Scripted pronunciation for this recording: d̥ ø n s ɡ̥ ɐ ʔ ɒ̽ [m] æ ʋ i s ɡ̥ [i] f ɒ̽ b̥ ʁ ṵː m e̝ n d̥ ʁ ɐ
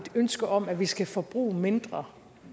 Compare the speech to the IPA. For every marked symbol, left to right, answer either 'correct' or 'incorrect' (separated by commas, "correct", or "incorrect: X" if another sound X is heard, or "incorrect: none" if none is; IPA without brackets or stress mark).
correct, incorrect: æ